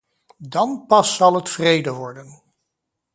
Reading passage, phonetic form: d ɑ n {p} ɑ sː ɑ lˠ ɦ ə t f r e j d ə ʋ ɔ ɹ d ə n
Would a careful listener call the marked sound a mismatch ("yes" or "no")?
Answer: no